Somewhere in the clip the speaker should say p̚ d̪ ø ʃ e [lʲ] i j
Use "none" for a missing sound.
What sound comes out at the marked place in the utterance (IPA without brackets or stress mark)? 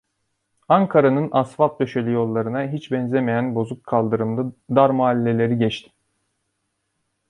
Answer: lʲ